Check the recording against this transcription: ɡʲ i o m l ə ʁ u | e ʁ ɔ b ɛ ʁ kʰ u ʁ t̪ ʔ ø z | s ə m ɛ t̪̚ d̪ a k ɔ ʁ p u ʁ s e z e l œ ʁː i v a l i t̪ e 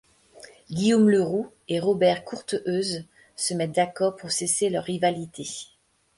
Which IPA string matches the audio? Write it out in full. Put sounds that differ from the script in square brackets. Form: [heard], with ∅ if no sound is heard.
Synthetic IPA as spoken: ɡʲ i o m l ə ʁ u | e ʁ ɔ b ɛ ʁ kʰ u ʁ t̪ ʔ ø z | s ə m ɛ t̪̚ d̪ a k ɔ ʁ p u ʁ s e [s] e l œ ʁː i v a l i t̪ e